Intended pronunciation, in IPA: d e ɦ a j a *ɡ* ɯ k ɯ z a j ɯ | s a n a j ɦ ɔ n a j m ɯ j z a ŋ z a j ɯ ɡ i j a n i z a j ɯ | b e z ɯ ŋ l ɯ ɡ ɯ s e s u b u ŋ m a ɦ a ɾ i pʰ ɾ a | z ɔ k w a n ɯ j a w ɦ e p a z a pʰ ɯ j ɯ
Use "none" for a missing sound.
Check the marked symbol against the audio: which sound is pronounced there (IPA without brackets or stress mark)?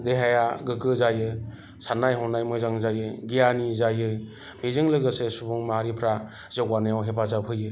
ɡ